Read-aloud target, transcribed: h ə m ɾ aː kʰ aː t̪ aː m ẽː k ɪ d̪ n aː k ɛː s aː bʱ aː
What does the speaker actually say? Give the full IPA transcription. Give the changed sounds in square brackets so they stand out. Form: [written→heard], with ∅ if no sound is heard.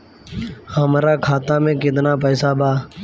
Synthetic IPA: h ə m ɾ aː kʰ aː t̪ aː m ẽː k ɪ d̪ n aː [k→p] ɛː s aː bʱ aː